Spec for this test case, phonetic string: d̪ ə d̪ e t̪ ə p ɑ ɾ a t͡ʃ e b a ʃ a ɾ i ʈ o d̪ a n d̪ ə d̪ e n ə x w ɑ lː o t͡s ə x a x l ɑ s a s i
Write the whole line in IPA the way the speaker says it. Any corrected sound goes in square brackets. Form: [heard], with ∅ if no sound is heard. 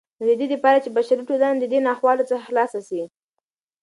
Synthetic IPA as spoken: d̪ ə d̪ e [d̪] ə p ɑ ɾ a t͡ʃ e b a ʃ a ɾ i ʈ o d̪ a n d̪ ə d̪ e n [ɑ] x w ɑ [l] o t͡s ə x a x l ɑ s a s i

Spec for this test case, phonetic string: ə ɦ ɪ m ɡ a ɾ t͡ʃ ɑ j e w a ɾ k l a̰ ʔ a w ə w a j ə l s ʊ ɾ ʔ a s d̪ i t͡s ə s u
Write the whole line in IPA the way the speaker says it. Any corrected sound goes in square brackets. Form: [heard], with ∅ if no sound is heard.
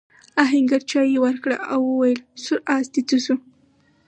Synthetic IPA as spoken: [a] ɦ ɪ [ŋ] ɡ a ɾ t͡ʃ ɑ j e w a ɾ k [ɽ] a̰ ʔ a w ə w a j ə l s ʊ ɾ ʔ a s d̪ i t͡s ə s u

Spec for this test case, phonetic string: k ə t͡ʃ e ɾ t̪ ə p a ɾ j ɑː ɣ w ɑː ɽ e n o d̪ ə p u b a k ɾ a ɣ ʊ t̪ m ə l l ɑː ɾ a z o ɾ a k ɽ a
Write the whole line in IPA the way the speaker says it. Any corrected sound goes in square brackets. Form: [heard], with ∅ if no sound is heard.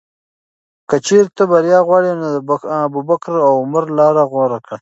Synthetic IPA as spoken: k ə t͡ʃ e ɾ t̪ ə [b] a ɾ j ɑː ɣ w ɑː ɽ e n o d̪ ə [b] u b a k ɾ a [w] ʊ [∅] m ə [ɾ] l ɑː ɾ a [ɣ] o ɾ a k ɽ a

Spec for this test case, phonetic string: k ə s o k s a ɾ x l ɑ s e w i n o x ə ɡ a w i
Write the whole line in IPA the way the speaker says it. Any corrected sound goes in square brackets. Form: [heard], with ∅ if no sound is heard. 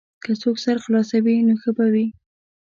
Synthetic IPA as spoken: k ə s o k s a ɾ x l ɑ s [a] w i n o x ə [b] a w i

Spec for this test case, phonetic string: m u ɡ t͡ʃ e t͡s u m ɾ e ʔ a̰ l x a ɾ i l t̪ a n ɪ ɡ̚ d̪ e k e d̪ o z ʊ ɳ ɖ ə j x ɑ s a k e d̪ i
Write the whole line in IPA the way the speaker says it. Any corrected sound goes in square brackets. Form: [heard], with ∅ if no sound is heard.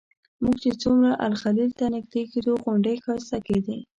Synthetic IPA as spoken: m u ɡ t͡ʃ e t͡s u m ɾ [a] ʔ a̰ l x a [l] i l t̪ a n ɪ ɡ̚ d̪ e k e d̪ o [ɣ] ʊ ɳ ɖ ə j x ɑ s a k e d̪ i

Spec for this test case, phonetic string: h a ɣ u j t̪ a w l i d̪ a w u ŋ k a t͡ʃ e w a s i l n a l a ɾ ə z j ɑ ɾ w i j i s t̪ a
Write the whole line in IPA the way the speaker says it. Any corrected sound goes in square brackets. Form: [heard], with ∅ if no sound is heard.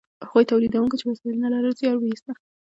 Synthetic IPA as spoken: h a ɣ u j t̪ a w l i d̪ a w u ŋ k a t͡ʃ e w a s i l n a l a ɾ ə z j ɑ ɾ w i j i s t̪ a

